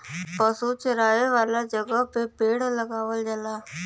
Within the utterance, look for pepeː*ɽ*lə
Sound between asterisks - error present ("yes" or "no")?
no